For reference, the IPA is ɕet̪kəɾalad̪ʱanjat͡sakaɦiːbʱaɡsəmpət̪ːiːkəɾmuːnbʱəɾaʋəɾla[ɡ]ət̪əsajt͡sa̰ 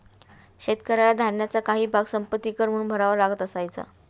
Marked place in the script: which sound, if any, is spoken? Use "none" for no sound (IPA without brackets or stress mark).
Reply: ɡ